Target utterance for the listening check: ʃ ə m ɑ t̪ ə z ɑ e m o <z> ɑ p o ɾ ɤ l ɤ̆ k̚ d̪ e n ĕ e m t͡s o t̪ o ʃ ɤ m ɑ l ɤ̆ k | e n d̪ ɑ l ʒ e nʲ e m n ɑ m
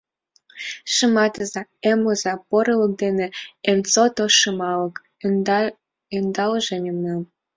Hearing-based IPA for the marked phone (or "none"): z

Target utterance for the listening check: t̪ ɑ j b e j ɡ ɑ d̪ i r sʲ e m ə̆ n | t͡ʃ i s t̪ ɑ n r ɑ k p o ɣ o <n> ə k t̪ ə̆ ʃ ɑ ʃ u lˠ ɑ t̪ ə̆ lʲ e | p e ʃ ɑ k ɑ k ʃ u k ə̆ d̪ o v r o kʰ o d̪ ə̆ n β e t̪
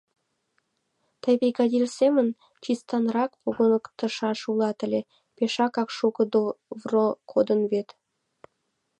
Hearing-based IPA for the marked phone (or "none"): n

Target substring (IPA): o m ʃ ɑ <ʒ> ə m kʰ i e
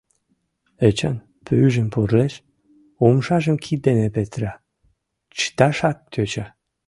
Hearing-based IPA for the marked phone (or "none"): ʒ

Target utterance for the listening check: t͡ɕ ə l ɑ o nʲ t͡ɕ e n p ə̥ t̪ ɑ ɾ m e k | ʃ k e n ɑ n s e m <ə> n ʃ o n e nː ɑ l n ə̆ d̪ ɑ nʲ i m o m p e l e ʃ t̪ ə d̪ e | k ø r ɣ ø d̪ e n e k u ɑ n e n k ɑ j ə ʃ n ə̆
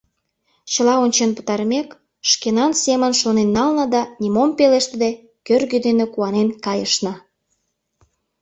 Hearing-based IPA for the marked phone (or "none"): ə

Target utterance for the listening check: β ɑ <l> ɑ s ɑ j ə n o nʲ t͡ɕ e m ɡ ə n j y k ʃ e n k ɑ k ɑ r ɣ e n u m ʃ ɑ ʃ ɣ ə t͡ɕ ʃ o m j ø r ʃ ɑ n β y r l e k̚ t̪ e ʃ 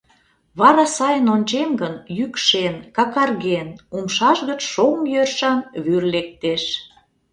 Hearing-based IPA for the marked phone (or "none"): ɾ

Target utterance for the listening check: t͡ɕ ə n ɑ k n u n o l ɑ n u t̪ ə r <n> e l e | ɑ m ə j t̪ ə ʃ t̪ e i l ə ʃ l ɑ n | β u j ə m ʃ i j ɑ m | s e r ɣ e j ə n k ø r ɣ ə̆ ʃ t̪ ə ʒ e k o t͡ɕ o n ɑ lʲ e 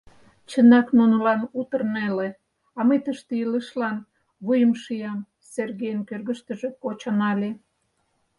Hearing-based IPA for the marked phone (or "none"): n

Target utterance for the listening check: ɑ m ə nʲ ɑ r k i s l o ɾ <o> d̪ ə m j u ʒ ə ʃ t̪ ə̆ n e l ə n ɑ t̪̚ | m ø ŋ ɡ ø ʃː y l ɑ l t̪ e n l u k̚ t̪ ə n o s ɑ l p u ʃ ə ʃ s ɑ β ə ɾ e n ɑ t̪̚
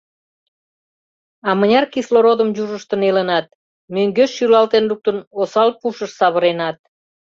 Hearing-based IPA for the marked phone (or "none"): o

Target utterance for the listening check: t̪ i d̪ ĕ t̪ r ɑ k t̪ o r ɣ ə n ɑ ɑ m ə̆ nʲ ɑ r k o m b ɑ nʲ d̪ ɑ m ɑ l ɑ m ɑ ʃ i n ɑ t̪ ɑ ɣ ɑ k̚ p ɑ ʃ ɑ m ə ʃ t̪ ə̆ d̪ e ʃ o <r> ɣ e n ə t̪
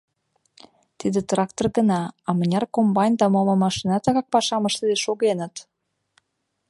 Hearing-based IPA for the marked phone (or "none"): none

